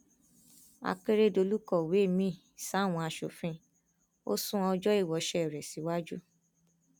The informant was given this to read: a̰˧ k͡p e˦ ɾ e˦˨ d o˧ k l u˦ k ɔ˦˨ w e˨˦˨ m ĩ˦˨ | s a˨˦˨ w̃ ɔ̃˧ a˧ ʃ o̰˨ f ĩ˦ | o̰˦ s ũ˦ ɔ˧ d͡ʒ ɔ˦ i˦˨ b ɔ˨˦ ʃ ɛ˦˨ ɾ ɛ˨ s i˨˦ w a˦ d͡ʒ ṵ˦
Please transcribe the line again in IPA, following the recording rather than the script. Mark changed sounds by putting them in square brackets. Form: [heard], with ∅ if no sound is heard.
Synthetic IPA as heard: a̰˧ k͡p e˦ ɾ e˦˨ d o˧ [∅] l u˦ k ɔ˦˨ w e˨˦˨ m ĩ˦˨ | s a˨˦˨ w̃ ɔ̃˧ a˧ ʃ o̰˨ f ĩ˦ | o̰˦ s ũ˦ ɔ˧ d͡ʒ ɔ˦ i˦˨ [w] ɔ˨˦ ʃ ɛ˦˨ ɾ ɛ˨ s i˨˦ w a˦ d͡ʒ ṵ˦

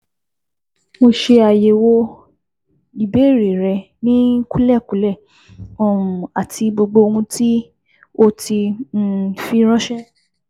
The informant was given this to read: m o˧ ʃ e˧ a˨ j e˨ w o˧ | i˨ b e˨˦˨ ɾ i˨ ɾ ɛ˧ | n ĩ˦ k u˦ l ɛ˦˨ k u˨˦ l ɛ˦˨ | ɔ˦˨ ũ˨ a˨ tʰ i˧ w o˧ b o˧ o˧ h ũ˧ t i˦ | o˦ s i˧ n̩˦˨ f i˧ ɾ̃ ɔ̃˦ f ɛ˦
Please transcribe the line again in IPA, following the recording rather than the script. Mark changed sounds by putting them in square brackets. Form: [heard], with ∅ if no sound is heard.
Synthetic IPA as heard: m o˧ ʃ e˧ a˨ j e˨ w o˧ | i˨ b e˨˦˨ ɾ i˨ ɾ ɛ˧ | n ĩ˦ k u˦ l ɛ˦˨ k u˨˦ l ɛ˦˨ | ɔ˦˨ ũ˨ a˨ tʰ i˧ [b] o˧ [ɡ͡b] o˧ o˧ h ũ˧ t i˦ | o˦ [t] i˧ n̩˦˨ f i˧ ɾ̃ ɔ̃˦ [ʃ] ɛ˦

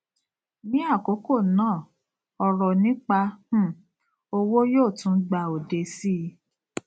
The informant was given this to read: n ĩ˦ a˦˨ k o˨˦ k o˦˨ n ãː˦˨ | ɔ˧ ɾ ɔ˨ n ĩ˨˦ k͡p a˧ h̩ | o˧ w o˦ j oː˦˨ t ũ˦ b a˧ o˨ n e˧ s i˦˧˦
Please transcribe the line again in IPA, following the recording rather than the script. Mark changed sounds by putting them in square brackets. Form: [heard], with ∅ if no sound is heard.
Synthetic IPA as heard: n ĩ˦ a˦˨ k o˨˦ k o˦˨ n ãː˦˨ | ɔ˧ ɾ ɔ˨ n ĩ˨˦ k͡p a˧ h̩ | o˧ w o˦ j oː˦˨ t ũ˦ [ɡ͡b] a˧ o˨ [d] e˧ s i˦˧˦

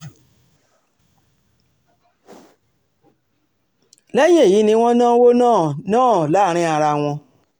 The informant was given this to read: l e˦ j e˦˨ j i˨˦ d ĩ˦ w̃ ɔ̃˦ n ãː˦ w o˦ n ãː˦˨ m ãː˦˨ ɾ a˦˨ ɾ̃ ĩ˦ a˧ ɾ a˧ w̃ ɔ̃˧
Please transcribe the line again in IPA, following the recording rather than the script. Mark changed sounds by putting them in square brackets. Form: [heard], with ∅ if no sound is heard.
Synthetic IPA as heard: l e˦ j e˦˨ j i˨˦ [n] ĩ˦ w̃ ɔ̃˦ n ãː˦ w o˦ n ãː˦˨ [n] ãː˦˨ [l] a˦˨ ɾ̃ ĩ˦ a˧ ɾ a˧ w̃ ɔ̃˧

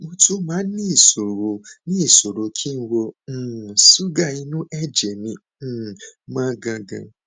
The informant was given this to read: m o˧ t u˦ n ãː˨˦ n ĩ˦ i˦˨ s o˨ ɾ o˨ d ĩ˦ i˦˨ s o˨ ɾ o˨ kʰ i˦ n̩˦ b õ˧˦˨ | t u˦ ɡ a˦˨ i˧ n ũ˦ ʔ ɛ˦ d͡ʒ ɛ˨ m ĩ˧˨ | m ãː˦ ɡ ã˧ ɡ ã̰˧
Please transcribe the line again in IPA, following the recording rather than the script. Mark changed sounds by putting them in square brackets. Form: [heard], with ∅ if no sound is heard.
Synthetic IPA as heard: m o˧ t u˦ [m] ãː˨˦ n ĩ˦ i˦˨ s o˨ ɾ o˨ [n] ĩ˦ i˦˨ s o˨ ɾ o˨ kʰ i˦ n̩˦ [w] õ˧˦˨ | [s] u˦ ɡ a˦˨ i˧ n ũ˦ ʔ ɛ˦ d͡ʒ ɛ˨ m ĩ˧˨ | m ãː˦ ɡ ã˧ ɡ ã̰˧

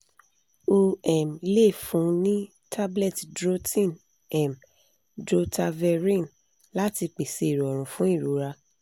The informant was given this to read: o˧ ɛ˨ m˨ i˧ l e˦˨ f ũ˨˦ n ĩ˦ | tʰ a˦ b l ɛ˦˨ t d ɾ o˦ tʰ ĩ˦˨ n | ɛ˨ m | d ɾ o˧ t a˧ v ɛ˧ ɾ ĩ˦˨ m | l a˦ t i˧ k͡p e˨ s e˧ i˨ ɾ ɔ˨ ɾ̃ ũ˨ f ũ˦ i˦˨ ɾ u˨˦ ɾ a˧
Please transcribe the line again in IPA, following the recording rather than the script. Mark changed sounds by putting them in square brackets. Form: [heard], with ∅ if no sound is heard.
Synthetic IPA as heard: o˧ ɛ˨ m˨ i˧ l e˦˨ f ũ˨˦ n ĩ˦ | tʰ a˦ b l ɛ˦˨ t d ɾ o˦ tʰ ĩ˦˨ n | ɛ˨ m | d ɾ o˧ t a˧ v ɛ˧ ɾ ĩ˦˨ [n] | l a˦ t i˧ k͡p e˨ s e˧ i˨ ɾ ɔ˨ ɾ̃ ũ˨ f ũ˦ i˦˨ ɾ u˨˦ ɾ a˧

